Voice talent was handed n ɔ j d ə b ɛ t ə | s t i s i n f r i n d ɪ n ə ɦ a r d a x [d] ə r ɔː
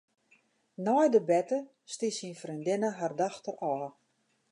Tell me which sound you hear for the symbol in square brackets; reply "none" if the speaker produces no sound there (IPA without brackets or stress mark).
t